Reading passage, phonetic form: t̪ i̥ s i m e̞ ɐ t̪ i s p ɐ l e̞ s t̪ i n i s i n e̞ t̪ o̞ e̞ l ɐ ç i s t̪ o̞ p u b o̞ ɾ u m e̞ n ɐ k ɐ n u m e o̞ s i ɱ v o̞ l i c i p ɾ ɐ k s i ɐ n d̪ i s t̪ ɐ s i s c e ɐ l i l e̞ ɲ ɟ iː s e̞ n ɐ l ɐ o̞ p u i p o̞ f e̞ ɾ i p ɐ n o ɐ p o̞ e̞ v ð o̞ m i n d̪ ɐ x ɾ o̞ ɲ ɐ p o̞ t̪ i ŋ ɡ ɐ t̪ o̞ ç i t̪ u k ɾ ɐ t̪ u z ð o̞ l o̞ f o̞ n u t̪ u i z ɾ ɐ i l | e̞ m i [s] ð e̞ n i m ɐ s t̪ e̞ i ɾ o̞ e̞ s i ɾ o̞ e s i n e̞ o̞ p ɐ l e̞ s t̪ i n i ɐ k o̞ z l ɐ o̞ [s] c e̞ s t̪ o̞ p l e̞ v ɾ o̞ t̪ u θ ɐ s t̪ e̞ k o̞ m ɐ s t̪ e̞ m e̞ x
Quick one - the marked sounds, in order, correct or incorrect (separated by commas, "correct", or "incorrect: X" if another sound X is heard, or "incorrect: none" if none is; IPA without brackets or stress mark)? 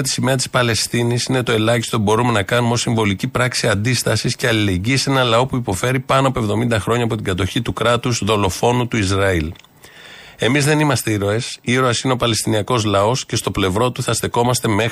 incorrect: z, correct